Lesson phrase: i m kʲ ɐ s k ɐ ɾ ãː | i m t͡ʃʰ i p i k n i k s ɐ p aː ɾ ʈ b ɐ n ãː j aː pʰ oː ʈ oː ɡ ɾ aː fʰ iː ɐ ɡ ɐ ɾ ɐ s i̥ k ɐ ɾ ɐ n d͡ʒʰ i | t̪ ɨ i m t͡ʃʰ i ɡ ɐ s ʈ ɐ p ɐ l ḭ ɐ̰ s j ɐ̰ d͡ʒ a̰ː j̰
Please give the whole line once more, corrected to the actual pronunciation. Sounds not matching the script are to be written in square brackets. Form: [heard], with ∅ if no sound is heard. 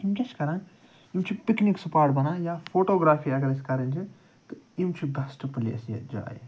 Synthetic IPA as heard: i m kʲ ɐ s k ɐ ɾ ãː | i m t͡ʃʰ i p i k n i k s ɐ p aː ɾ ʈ b ɐ n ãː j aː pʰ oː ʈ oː ɡ ɾ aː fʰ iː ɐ ɡ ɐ ɾ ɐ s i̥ k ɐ ɾ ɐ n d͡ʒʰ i | t̪ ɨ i m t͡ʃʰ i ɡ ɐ s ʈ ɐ p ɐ l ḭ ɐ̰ s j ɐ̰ d͡ʒ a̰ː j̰

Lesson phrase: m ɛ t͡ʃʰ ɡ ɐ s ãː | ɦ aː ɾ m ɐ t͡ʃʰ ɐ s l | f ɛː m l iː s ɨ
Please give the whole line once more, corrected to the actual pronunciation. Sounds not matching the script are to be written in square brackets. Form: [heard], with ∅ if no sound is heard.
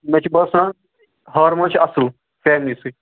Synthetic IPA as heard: m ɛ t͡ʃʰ [b] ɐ s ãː | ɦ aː ɾ m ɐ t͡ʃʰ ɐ s l | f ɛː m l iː s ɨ

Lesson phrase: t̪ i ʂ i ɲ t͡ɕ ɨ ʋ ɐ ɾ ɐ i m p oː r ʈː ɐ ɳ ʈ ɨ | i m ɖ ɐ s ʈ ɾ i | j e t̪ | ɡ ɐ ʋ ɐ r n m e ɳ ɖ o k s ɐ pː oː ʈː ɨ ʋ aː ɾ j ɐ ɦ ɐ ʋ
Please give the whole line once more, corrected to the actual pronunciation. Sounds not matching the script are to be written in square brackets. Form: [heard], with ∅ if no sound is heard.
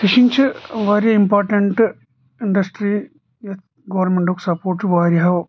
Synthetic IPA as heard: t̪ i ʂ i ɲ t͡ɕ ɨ ʋ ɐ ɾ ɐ i m p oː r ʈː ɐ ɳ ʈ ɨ | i [ɳ] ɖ ɐ s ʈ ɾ i | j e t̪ | ɡ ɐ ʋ ɐ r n m e ɳ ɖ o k s ɐ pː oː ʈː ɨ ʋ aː ɾ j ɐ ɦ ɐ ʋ

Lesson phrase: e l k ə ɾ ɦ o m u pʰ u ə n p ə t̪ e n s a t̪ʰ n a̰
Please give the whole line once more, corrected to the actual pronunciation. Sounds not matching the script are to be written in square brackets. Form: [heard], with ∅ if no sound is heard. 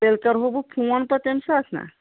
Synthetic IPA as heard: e l k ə ɾ ɦ o [b] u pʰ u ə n p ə t̪ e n s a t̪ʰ n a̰

